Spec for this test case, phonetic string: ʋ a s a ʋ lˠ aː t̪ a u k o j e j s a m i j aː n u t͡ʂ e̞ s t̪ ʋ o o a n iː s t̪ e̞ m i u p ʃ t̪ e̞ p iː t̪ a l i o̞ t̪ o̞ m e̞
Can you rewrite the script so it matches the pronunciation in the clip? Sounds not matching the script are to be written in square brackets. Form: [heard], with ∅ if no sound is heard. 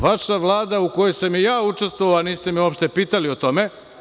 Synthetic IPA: ʋ a [ʃ] a ʋ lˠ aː [d̪] a u k o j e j s a m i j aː [∅] u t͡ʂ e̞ s t̪ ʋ o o a n iː s t̪ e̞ m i [o] p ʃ t̪ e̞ p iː t̪ a l i o̞ t̪ o̞ m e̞